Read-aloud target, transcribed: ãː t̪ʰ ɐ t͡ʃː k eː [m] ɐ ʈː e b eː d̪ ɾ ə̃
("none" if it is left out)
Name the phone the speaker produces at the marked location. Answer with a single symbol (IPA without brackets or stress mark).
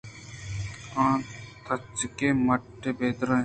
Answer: m